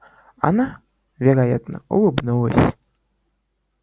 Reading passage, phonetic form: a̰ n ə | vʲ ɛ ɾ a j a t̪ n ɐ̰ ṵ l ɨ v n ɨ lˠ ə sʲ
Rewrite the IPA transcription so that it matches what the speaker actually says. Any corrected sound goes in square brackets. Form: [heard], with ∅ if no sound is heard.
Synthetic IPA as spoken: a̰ n [a] | vʲ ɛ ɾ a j a t̪ n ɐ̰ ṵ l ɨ [b] n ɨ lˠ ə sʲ